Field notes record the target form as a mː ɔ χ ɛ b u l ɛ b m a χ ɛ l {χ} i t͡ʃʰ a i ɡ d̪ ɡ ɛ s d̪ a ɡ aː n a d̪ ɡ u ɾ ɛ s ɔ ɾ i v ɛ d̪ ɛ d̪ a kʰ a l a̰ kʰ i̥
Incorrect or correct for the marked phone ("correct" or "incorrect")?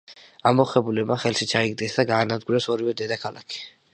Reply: incorrect